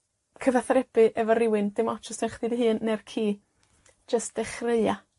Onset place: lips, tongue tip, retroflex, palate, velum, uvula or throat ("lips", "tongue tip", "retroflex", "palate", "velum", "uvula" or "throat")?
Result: velum